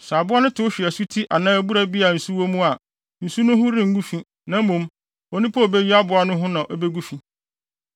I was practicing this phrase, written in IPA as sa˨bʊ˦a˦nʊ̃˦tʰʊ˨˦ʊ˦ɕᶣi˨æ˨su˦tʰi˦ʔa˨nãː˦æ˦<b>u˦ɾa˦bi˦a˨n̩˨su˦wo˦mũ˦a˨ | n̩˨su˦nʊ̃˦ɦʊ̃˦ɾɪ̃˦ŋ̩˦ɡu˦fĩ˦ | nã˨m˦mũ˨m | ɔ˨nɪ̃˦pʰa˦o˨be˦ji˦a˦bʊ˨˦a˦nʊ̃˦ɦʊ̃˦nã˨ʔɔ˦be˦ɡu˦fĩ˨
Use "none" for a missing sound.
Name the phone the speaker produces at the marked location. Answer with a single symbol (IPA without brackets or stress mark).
b